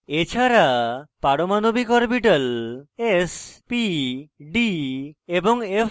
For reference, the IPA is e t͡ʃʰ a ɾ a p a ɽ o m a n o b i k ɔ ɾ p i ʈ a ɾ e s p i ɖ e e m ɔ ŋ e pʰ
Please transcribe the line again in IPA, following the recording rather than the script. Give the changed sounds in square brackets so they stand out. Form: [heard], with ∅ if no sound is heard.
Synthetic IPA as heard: e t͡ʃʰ a ɾ a p a ɽ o m a n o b i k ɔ ɾ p i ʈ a [l] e s p i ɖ [i] e [b] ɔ ŋ e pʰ